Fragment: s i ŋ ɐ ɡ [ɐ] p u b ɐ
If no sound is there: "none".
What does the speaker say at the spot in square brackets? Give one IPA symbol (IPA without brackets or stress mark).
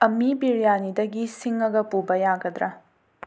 ɐ